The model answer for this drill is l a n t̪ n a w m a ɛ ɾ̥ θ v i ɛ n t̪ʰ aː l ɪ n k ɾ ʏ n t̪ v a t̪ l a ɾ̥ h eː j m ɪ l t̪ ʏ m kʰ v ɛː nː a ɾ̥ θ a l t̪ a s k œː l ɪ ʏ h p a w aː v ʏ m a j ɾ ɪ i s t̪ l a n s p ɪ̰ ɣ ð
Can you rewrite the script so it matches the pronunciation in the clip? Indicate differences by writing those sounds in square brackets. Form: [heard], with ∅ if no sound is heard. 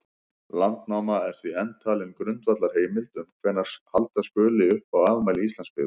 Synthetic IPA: l a n t̪ n a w m a ɛ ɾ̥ θ v i ɛ n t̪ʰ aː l ɪ n k ɾ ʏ n t̪ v a t̪ l a ɾ̥ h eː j m ɪ l t̪ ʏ m kʰ v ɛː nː a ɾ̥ [h] a l t̪ a s k œː l ɪ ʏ h p a w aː v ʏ m a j [l] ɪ i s t̪ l a n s p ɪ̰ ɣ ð